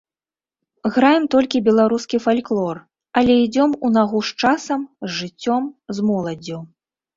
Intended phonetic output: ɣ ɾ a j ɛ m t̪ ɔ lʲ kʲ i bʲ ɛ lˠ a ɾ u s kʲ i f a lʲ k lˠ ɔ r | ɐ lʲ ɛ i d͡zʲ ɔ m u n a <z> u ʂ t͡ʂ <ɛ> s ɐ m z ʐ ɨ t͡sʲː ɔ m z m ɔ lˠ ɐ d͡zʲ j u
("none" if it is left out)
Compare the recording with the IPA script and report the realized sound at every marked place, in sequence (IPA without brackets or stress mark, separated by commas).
ɣ, a